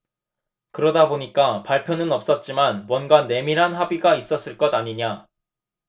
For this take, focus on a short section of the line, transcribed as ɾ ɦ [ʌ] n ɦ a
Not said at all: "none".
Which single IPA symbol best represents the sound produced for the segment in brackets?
a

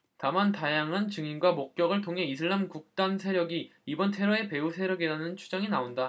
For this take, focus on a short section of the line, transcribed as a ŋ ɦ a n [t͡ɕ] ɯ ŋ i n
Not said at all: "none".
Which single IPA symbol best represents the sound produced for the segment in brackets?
t͡ɕ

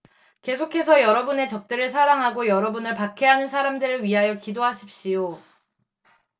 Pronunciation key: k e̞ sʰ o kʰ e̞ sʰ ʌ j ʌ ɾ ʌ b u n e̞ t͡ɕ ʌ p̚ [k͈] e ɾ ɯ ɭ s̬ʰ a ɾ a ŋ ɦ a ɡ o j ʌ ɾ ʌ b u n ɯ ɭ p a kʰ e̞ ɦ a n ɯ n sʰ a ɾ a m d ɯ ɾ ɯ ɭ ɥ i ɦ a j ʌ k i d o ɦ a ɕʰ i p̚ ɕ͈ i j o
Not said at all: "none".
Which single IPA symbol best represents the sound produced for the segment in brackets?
t͈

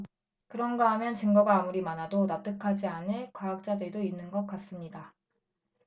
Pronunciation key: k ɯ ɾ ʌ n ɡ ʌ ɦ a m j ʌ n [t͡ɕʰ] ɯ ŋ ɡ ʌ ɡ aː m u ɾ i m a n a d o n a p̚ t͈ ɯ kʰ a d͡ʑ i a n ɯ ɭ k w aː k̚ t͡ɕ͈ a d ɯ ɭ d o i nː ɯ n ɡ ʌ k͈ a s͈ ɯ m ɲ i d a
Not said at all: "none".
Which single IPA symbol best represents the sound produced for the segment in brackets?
t͡ɕ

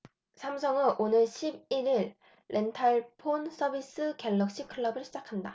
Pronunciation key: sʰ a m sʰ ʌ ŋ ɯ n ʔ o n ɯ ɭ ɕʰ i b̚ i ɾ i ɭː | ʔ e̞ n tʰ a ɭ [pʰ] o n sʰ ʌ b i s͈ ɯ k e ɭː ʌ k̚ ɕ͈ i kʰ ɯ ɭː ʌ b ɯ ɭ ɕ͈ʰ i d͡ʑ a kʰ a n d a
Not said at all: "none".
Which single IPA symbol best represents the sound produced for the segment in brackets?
pʰ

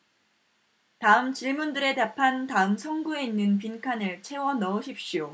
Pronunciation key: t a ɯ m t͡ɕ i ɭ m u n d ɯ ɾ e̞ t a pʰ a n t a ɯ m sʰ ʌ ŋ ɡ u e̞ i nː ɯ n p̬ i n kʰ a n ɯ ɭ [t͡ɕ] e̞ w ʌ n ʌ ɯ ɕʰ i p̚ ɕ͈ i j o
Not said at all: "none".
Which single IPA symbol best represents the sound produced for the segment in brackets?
t͡ɕʰ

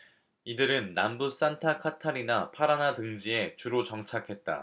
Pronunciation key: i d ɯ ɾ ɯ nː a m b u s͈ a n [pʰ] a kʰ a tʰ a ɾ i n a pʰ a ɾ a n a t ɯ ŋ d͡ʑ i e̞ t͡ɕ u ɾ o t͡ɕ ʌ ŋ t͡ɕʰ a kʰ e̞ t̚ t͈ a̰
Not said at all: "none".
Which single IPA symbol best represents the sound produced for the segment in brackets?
tʰ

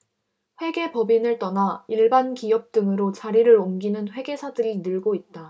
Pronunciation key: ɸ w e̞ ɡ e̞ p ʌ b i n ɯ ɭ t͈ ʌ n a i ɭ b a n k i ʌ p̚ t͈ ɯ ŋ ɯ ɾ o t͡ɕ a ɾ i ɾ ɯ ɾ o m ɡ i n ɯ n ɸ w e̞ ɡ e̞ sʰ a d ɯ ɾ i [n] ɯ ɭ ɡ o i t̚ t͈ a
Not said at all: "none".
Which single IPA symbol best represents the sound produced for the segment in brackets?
n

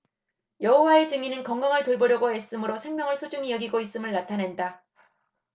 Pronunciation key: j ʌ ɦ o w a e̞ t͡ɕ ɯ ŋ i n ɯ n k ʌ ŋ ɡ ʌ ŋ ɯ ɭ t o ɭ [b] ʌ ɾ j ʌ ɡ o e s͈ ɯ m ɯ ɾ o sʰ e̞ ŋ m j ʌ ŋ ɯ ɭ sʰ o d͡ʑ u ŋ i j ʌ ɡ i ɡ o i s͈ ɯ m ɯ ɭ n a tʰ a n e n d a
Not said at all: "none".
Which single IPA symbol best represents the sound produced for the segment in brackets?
b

